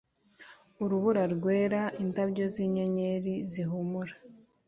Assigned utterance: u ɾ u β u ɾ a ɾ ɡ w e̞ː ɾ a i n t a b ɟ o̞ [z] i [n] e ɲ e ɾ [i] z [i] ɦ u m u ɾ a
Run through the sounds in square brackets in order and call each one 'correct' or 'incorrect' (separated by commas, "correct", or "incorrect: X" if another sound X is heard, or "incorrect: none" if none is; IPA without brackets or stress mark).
correct, incorrect: ɲ, correct, correct